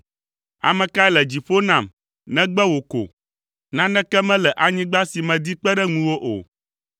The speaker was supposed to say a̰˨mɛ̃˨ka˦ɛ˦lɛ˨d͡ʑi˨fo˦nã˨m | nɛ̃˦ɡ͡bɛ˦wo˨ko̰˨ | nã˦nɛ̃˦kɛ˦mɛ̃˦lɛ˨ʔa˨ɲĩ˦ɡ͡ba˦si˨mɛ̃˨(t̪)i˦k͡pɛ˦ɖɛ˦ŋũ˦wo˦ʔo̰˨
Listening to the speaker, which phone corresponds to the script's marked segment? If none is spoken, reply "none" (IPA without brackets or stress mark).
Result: d̪